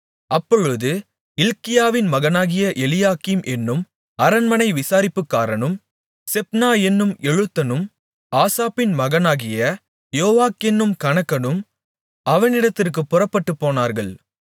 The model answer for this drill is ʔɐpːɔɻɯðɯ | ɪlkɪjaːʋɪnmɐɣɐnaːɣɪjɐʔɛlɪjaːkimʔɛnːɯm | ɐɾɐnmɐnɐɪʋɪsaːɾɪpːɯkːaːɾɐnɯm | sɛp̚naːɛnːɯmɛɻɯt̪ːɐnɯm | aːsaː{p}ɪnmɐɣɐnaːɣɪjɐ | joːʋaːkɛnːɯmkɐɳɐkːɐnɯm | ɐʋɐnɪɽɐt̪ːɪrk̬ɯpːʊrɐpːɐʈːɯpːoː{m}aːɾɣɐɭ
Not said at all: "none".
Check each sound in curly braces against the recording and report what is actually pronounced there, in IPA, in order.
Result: p, n

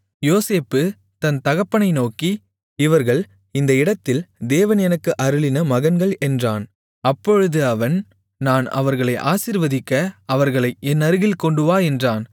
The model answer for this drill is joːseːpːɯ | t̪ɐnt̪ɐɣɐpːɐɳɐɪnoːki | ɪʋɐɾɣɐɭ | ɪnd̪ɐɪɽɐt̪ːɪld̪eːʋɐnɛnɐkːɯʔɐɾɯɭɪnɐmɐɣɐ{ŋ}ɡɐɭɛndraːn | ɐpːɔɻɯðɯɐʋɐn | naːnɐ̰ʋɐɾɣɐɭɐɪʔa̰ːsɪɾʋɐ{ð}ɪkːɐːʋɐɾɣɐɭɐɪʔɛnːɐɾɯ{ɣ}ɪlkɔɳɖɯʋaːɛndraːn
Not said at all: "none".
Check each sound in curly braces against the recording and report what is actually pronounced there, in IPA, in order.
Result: n, ð, ɣ

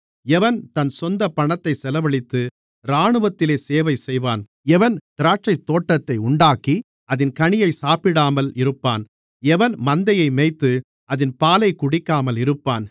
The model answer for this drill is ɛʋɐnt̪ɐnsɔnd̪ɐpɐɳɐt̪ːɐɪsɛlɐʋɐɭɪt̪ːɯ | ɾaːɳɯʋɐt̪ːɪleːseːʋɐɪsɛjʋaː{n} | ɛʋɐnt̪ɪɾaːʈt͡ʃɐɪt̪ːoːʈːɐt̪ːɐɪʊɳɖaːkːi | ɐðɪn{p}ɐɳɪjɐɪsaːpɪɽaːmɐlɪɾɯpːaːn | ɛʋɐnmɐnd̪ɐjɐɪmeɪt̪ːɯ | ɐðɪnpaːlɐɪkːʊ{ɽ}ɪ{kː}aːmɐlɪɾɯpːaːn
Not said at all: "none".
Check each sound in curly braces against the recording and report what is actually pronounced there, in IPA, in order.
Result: n, k, ɽ, kː

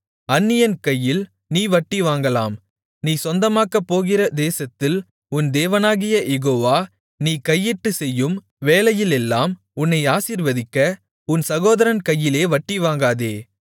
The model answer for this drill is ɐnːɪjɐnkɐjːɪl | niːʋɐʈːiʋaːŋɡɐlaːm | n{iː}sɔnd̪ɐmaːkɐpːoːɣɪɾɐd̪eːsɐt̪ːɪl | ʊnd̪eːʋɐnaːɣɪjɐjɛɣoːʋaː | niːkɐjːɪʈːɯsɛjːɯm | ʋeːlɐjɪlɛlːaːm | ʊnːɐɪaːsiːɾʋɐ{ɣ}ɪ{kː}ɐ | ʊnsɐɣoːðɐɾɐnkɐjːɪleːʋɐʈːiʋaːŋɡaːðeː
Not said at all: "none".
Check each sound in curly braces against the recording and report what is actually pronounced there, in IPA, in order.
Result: iː, ð, kː

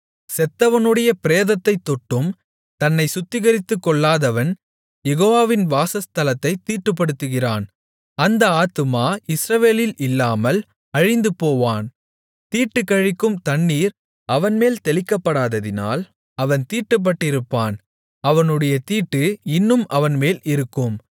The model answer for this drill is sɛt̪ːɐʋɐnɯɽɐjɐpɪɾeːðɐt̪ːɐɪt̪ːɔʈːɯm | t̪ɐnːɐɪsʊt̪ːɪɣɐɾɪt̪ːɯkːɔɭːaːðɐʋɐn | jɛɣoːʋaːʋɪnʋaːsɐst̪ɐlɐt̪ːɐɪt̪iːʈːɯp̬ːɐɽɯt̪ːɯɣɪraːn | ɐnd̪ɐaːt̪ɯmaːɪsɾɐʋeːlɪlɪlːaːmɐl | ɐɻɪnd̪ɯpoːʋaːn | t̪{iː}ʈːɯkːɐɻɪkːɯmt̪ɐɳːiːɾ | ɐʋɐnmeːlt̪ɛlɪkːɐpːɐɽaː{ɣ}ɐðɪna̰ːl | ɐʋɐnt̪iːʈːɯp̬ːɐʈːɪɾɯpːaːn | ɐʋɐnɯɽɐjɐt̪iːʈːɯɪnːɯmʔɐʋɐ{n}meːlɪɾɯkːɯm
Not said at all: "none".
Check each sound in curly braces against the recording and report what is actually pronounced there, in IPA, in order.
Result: iː, ð, n

